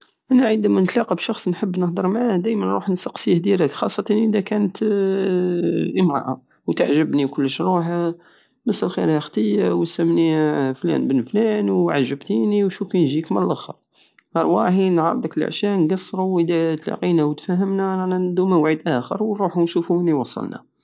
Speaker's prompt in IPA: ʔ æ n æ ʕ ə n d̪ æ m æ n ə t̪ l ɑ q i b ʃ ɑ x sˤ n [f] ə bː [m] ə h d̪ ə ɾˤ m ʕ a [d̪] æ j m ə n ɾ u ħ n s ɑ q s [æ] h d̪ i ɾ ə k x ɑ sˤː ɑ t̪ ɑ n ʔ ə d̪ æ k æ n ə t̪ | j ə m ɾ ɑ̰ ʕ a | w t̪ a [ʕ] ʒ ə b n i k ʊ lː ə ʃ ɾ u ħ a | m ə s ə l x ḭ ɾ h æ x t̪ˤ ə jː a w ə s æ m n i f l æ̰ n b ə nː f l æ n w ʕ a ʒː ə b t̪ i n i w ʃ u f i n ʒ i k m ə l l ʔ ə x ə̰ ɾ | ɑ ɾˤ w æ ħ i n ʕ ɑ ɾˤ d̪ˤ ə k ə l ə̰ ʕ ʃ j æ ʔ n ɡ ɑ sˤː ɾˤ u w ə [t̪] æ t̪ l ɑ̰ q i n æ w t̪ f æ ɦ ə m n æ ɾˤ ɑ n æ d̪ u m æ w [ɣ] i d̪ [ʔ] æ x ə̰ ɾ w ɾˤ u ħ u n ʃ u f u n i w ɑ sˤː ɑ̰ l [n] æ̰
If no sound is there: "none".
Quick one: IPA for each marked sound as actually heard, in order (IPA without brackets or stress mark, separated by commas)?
ħ, n, d̪, i, ʕ, d̪, ʕ, ʔ, n